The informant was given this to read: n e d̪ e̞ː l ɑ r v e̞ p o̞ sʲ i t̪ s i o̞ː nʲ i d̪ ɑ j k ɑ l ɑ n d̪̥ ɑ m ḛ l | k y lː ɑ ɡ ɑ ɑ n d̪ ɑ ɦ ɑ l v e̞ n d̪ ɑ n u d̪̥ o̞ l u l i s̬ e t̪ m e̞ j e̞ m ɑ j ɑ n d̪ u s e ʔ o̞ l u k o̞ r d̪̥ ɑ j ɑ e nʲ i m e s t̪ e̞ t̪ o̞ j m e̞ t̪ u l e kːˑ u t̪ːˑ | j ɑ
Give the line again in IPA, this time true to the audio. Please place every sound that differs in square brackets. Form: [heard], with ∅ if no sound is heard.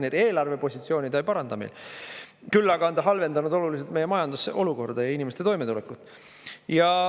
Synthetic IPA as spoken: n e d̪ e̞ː l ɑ r v e̞ p o̞ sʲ i t̪ s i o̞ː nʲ i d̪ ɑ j [p] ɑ [ɾ] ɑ n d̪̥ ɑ m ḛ l | k y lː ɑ ɡ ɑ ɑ n d̪ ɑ ɦ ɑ l v e̞ n d̪ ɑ n u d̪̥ o̞ l u l i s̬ e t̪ m e̞ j e̞ m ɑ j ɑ n d̪ u s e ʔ o̞ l u k o̞ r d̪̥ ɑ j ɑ [i] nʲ i m e s t̪ e̞ t̪ o̞ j m e̞ t̪ u l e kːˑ u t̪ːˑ | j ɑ